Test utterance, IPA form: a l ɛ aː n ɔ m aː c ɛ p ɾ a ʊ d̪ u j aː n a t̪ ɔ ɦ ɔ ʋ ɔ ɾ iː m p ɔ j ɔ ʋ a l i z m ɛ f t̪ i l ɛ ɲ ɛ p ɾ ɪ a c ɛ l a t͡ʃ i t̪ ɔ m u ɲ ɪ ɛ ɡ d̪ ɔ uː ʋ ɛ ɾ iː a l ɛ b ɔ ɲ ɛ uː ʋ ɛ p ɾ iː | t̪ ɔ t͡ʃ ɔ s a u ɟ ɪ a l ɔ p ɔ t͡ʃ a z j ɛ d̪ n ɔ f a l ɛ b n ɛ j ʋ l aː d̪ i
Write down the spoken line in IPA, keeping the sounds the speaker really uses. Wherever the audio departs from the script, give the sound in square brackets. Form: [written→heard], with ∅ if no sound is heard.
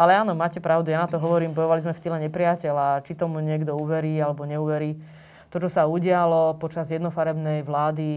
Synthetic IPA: a l ɛ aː n ɔ m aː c ɛ p ɾ a ʊ d̪ u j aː n a t̪ ɔ ɦ ɔ ʋ ɔ ɾ iː m [p→b] ɔ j ɔ ʋ a l i z m ɛ f t̪ i l ɛ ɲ ɛ p ɾ ɪ a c ɛ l a t͡ʃ i t̪ ɔ m u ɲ ɪ ɛ ɡ d̪ ɔ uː ʋ ɛ ɾ iː a l ɛ b ɔ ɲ ɛ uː ʋ ɛ [p→∅] ɾ iː | t̪ ɔ t͡ʃ ɔ s a u ɟ ɪ a l ɔ p ɔ t͡ʃ a z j ɛ d̪ n ɔ f a [l→ɾ] ɛ b n ɛ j ʋ l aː d̪ i